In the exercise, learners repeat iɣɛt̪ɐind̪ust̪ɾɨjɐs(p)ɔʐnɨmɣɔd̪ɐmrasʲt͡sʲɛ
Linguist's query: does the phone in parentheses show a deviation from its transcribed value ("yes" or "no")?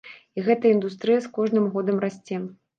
yes